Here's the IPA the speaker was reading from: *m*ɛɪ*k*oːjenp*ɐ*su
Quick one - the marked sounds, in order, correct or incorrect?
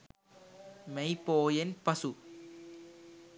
correct, incorrect: p, correct

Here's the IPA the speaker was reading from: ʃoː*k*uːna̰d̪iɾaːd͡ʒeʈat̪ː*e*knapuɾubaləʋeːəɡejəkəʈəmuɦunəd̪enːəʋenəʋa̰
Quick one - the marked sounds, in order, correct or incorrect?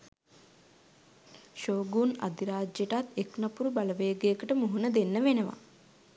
incorrect: ɡ, correct

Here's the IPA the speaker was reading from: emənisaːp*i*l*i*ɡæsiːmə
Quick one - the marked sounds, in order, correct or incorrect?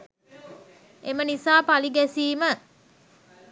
incorrect: a, correct

